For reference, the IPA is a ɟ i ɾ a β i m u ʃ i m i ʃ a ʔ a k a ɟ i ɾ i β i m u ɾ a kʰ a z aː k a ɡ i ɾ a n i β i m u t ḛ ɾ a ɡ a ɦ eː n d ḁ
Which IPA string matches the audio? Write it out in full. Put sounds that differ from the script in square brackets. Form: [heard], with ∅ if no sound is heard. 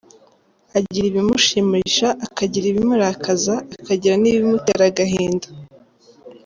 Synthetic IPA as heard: a ɟ i ɾ [i] β i m u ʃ i m i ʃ a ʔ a k a ɟ i ɾ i β i m u ɾ a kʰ a z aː k a [ɟ] i ɾ a n i β i m u t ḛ ɾ a ɡ a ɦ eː n d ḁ